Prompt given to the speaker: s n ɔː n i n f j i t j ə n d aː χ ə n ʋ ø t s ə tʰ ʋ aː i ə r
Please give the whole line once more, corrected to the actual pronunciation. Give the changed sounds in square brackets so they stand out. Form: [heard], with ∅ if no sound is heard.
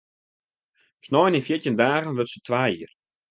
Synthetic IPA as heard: s n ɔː n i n f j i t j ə n d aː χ ə n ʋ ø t s ə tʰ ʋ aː i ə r